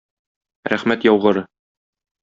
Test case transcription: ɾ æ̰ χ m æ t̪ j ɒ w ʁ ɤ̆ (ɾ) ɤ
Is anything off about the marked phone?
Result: no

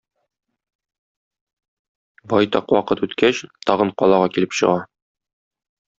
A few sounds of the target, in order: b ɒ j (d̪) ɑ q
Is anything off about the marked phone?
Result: yes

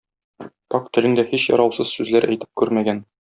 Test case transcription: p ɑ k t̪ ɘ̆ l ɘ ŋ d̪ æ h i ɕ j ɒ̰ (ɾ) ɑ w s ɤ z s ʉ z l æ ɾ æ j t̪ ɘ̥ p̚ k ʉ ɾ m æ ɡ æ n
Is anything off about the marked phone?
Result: no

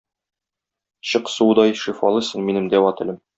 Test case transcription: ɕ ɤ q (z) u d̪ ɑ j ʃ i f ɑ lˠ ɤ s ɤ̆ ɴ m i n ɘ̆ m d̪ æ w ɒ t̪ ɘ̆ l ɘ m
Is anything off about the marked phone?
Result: yes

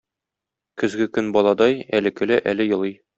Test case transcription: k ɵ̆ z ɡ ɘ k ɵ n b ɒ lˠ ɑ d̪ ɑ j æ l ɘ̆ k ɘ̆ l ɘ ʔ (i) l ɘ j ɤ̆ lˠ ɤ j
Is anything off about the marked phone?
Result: yes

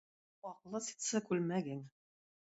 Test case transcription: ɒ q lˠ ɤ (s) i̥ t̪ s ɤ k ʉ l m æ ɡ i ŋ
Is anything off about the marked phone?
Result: no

